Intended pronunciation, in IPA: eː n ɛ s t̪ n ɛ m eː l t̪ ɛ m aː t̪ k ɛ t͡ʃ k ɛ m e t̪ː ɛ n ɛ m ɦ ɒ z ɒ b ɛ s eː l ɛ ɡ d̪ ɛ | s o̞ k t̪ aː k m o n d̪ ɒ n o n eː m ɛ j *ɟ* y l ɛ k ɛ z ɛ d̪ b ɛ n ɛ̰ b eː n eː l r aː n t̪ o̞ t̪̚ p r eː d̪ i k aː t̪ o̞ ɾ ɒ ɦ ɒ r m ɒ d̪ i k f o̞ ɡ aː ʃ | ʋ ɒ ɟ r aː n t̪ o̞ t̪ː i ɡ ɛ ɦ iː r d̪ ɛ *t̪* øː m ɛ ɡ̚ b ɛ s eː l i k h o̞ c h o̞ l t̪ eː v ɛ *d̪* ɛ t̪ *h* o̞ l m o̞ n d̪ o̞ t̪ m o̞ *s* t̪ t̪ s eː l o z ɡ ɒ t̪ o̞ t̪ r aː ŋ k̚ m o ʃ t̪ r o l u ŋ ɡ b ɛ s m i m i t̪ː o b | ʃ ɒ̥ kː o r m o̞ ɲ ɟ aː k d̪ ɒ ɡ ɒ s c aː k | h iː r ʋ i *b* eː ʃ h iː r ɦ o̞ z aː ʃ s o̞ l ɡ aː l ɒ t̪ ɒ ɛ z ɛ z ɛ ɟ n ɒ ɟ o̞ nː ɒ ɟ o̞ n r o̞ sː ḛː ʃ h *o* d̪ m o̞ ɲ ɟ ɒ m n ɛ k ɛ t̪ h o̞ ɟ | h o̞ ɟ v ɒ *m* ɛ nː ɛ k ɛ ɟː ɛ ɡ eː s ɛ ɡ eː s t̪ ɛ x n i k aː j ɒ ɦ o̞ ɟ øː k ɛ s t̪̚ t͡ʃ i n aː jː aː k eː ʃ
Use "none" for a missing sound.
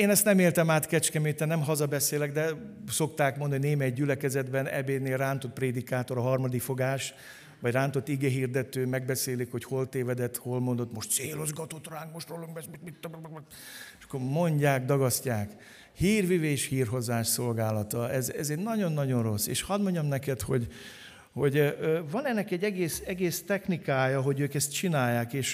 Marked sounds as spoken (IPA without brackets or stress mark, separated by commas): ɟ, t̪, d̪, h, ʃ, v, ɒ, n